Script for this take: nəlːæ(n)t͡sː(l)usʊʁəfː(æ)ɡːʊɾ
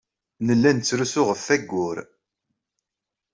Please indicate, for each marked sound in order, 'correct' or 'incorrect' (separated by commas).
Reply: correct, incorrect, correct